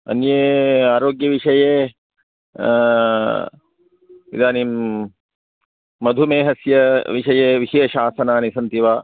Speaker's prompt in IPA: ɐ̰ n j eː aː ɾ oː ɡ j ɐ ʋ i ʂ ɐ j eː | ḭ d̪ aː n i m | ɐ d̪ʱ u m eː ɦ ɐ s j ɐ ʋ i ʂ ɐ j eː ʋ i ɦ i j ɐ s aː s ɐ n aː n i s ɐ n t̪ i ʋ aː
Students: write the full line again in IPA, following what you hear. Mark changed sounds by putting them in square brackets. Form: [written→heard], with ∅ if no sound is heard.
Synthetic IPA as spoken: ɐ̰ n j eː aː ɾ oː ɡ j ɐ ʋ i ʂ ɐ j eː | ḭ d̪ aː n i m | ɐ d̪ʱ u m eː ɦ ɐ s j ɐ ʋ i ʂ ɐ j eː ʋ i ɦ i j ɐ [s→ʃ] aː s ɐ n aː n i s ɐ n t̪ i ʋ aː